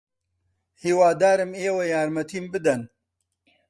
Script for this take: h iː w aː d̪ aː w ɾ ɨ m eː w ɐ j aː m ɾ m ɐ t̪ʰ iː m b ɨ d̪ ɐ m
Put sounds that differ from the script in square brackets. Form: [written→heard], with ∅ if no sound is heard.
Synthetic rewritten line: h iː w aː d̪ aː [w→∅] ɾ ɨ m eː w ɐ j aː [m→∅] ɾ m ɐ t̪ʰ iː m b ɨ d̪ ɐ [m→n]